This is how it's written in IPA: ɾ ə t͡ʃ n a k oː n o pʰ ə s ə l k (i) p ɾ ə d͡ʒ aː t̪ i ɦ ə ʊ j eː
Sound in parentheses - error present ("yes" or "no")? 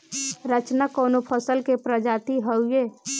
yes